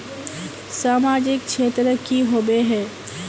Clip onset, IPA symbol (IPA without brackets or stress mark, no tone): s